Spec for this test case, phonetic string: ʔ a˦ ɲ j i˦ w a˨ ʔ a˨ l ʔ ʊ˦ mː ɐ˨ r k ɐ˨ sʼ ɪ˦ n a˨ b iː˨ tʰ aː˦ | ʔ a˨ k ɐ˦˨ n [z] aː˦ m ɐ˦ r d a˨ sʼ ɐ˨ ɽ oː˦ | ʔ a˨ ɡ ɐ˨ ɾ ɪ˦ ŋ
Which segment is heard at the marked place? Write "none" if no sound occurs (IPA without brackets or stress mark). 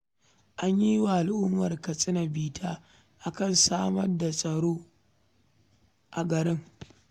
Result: s